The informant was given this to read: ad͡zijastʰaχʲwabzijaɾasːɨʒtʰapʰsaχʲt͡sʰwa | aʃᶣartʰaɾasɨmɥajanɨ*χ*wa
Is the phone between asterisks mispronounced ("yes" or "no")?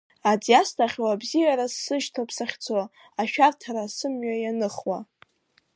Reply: no